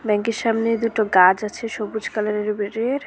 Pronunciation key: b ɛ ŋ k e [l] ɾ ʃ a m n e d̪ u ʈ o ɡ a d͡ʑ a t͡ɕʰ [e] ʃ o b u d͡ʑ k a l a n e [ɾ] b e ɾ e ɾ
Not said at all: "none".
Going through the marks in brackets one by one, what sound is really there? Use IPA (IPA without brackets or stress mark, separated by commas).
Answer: none, e, ɾ